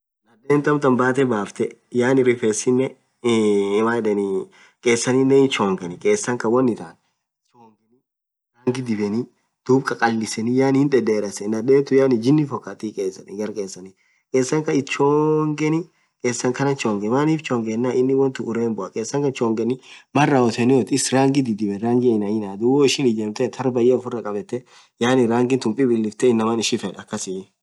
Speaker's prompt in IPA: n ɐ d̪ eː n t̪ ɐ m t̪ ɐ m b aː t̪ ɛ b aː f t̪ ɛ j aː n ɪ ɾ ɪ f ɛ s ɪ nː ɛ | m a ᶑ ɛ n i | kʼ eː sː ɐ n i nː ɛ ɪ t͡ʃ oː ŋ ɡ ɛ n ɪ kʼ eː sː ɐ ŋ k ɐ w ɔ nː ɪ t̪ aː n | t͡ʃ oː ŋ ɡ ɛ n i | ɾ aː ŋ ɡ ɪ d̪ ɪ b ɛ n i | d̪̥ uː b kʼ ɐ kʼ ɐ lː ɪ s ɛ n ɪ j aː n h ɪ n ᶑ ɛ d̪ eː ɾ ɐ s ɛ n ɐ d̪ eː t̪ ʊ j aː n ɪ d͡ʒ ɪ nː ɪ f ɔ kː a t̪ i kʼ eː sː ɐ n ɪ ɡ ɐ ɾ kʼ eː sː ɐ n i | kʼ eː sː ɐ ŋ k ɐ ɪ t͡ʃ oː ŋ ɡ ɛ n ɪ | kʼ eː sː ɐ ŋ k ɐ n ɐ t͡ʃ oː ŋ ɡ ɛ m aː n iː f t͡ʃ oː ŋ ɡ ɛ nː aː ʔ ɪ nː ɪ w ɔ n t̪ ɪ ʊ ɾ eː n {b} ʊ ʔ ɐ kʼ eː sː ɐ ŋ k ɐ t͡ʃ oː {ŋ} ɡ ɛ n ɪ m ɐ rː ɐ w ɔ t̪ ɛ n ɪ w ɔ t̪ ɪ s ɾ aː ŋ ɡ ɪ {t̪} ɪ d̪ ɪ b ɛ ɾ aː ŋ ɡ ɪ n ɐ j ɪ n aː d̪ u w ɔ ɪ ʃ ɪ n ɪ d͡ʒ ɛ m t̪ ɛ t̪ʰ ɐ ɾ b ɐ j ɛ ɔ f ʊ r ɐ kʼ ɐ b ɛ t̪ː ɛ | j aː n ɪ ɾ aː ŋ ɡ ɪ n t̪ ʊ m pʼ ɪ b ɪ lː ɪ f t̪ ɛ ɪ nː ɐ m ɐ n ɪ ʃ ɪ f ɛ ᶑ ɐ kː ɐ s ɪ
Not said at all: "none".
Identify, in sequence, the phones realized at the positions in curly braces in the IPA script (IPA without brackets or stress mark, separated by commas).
b, ŋ, d̪